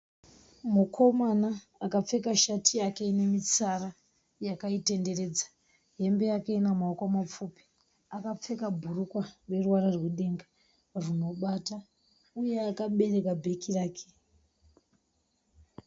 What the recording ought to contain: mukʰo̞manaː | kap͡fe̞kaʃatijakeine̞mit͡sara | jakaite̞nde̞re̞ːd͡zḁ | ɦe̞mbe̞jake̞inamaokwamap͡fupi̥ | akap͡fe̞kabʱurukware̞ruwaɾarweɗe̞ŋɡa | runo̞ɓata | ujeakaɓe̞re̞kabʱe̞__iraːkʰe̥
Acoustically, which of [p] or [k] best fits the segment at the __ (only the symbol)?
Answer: k